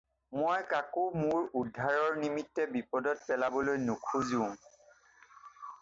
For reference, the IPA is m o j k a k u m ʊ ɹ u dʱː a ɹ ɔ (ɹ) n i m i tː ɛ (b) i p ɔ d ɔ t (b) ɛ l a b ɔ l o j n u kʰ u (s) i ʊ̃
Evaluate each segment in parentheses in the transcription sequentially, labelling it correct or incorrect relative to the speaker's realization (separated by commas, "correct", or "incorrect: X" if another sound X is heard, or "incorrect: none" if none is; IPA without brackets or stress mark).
correct, correct, incorrect: p, incorrect: z